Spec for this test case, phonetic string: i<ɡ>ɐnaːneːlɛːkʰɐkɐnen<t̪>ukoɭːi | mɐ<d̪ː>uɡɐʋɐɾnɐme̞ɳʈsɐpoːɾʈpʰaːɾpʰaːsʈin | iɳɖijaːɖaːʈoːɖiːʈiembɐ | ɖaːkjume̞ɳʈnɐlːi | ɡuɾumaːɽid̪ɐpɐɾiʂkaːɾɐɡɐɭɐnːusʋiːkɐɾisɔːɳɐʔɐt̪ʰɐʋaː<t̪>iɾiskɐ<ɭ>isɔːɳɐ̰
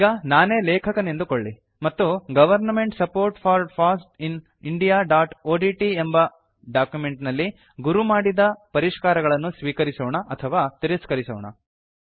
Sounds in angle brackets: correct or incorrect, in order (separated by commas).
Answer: correct, incorrect, incorrect, correct, incorrect